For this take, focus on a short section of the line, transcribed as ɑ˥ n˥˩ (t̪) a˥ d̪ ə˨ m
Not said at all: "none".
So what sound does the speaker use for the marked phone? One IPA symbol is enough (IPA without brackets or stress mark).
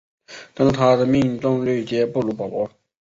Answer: t̪ʰ